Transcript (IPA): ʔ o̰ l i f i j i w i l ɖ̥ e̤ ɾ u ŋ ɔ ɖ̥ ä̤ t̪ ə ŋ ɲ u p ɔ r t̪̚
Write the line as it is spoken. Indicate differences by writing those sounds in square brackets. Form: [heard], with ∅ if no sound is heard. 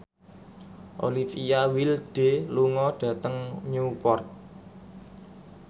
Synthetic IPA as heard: ʔ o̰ l i f i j [a] w i l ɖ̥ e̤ [l] u ŋ ɔ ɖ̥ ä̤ t̪ ə ŋ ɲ u p ɔ r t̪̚